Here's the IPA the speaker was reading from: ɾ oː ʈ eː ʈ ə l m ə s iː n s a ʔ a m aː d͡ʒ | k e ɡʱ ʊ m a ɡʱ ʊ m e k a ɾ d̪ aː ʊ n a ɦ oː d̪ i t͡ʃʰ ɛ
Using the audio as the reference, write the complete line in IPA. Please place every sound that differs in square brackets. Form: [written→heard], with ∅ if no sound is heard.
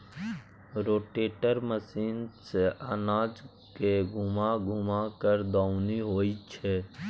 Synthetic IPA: ɾ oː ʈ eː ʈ ə [l→ɾ] m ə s iː n s [a→e] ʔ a [m→n] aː d͡ʒ | k e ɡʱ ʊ m a ɡʱ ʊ m [e→a] k [a→ə] ɾ d̪ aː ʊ n [a→i] ɦ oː [d̪→∅] i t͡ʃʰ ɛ

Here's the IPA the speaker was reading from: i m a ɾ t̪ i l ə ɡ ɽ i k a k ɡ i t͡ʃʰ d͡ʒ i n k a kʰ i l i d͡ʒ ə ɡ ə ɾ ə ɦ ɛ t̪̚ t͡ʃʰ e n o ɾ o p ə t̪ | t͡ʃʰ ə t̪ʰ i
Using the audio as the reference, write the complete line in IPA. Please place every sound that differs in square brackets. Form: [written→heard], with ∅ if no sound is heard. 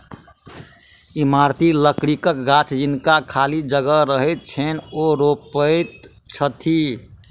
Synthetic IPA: i m a ɾ t̪ i l ə [ɡ→k] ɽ i k [a→ə] k ɡ [i→a] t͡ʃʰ d͡ʒ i n k a kʰ [i→a] l i d͡ʒ ə ɡ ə ɾ ə ɦ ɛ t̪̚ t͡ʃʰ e n o ɾ o p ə t̪ | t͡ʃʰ ə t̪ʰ i

